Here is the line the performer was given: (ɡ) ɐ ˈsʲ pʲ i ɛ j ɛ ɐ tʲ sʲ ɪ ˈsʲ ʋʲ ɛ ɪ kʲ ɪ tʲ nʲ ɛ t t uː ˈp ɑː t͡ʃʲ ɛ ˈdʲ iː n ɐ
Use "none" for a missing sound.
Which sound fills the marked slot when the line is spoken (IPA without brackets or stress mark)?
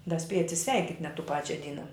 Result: d